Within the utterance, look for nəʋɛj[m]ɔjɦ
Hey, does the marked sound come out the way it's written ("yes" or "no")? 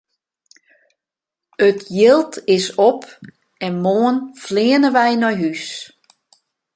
no